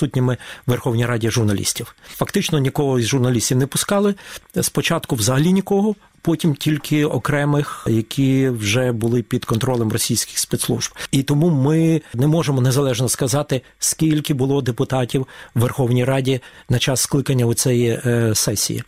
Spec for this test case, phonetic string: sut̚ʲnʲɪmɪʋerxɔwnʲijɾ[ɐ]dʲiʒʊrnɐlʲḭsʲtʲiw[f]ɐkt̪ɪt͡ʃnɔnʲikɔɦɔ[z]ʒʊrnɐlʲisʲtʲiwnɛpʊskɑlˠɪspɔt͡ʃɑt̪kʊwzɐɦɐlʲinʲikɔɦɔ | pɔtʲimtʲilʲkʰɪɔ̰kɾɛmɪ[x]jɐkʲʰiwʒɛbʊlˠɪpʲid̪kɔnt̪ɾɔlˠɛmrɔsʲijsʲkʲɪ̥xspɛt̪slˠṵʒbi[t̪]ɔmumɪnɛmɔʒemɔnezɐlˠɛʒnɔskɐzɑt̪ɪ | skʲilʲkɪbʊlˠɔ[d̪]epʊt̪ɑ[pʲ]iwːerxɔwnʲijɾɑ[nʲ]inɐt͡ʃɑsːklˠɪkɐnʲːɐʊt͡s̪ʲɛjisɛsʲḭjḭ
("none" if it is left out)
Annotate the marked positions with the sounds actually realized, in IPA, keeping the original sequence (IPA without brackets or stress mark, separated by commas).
ɑ, f, z, x, t̪, d̪, tʲ, dʲ